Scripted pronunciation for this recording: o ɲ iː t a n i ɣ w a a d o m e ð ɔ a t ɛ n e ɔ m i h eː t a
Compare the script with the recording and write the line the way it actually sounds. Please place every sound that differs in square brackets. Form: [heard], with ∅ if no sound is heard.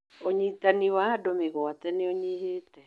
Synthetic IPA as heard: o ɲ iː t a n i [∅] w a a d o m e [ɣ] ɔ a t ɛ n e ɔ [ɲ] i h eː t [ɛ]

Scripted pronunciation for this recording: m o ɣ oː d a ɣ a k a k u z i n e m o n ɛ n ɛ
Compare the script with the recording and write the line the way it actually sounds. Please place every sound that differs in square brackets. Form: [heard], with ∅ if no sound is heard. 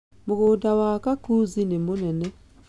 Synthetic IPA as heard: m o ɣ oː d a [w] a k a k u z i n e m o n ɛ n ɛ

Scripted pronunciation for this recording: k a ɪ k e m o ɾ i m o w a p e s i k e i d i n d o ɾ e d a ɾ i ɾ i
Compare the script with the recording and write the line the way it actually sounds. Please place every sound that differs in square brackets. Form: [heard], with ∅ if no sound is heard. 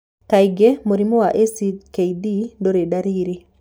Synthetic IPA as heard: k a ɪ [ɡ] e m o ɾ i m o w a [ʔ] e s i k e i d i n d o ɾ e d a ɾ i ɾ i

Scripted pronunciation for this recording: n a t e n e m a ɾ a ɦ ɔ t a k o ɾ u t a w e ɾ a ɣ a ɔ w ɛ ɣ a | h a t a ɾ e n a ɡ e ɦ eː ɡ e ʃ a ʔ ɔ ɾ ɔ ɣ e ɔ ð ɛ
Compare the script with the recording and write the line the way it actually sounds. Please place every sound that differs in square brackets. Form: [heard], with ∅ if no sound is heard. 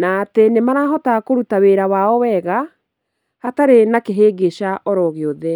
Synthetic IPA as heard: n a t e n e m a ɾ a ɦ ɔ t a k o ɾ u t a w e ɾ a [w] a ɔ w ɛ ɣ a | h a t a ɾ e n a [k] e ɦ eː ɡ e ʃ a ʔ ɔ ɾ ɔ ɣ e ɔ ð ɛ

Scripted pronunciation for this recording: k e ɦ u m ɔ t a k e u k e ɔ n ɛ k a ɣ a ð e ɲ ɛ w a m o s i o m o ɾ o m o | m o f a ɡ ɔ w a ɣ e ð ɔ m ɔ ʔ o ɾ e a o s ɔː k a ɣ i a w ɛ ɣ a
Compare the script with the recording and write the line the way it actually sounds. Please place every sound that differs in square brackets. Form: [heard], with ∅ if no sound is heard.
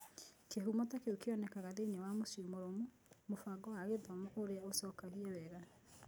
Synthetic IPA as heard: k e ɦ u m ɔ t a k e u k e ɔ n ɛ k a ɣ a ð e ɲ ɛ w a m o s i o m o ɾ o m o | m o f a ɡ ɔ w a ɣ e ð ɔ m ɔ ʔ o ɾ e a o s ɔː k a ɣ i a w ɛ ɣ a

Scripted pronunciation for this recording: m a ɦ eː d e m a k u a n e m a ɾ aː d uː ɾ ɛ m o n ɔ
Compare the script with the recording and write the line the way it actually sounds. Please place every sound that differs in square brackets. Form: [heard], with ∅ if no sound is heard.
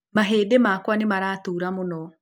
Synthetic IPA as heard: m a ɦ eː d e m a k [w] a n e m a ɾ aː [t] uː ɾ [a] m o n ɔ

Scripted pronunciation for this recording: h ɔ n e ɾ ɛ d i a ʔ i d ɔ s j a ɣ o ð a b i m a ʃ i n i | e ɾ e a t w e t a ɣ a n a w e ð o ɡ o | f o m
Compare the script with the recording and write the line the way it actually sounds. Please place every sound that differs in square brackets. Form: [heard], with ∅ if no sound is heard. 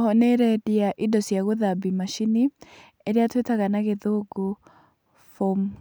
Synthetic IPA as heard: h ɔ n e ɾ ɛ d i a ʔ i d ɔ s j a ɣ o ð a b i m a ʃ i n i | e ɾ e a t w e t a ɣ a n a [ɣ] e ð o ɡ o | f o m

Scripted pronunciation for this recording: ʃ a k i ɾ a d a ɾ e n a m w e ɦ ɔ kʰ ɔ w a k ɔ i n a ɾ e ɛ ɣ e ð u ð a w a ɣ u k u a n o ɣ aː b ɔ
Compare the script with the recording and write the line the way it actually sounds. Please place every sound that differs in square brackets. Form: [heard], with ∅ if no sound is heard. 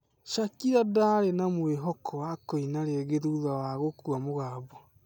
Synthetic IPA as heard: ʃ a k i ɾ a d a ɾ e n a m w e ɦ ɔ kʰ ɔ w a k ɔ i n a ɾ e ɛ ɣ e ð u ð a w a ɣ [o] k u a [m] o ɣ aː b ɔ

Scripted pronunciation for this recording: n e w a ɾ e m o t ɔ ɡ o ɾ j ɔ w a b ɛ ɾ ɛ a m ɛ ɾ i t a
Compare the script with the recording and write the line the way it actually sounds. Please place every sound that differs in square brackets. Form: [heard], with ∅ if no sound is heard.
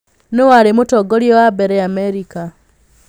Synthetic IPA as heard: n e w a ɾ e m o t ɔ ɡ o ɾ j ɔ w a b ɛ ɾ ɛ a m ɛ ɾ i [k] a

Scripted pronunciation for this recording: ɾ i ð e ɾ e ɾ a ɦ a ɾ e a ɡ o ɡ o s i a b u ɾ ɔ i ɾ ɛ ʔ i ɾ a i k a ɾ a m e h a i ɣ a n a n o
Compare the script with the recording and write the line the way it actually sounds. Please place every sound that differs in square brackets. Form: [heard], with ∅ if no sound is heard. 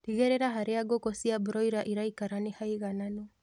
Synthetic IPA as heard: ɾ i [ɣ] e ɾ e ɾ a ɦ a ɾ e a ɡ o [k] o s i a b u ɾ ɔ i ɾ [a] ʔ i ɾ a i k a ɾ a [n] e h a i ɣ a n a n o

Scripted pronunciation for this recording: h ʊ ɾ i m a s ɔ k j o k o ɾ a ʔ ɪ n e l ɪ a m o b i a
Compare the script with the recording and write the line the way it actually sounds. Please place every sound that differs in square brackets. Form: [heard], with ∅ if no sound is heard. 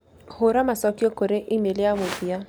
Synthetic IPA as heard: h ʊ ɾ [a] m a s ɔ k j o k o ɾ [e] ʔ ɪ [m] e l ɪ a m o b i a

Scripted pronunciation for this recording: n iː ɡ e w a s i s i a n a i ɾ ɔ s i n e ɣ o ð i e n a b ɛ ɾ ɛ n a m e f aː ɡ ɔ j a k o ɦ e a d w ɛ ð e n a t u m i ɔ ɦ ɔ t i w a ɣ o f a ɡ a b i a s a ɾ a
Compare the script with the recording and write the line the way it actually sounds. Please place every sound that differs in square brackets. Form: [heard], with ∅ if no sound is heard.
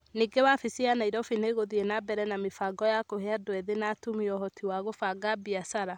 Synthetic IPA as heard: n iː ɡ e w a [f] i s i a n a i ɾ ɔ [f] i n e ɣ o ð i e n a b ɛ ɾ ɛ n a m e f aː ɡ ɔ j a k o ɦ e a d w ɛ ð e n a t u m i ɔ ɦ ɔ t i w a ɣ o f a ɡ a b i a s a ɾ a

